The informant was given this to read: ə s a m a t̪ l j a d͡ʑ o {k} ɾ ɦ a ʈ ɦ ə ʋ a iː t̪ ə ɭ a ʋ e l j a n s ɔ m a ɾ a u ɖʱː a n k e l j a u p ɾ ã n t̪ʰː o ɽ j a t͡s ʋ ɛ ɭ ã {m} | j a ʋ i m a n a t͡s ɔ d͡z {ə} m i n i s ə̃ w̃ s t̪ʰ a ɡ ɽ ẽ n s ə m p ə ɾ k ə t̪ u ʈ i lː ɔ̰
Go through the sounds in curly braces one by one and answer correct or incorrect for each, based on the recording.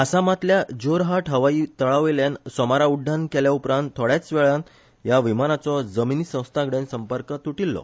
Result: incorrect: none, incorrect: n, correct

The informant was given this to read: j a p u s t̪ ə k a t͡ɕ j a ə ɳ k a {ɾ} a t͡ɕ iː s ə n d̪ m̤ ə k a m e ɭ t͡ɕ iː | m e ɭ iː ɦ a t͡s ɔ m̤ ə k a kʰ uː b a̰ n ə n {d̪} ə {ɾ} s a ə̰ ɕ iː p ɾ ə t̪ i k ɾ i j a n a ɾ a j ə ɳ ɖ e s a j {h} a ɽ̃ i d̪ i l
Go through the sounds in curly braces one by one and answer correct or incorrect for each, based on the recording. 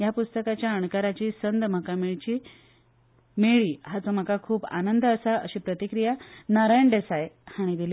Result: correct, correct, incorrect: none, correct

